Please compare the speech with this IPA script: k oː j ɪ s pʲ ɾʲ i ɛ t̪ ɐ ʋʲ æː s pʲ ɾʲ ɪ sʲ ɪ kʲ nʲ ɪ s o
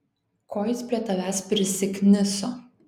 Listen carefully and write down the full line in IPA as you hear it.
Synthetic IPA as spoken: k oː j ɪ s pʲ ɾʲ i ɛ t̪ ɐ ʋʲ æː s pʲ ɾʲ ɪ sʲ ɪ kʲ nʲ ɪ s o